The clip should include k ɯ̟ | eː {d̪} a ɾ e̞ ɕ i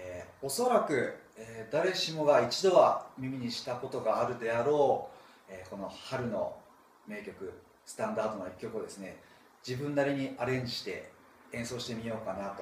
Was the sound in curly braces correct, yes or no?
yes